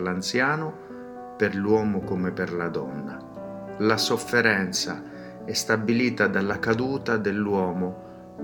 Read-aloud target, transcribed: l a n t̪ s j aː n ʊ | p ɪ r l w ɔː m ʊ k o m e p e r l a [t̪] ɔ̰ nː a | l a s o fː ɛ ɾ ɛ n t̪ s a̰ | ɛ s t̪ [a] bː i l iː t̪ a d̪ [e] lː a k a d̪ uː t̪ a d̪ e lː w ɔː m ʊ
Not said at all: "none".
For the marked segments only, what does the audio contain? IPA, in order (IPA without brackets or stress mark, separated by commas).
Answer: d̪, a, a